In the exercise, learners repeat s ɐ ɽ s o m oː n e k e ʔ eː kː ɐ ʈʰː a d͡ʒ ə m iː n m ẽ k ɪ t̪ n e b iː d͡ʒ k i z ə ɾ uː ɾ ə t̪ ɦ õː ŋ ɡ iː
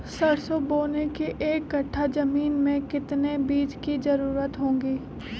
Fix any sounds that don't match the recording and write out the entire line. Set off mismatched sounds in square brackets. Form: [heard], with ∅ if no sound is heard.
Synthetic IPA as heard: s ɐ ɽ s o [b] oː n e k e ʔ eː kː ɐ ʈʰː a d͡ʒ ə m iː n m ẽ k ɪ t̪ n e b iː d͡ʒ k i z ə ɾ uː ɾ ə t̪ ɦ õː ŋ ɡ iː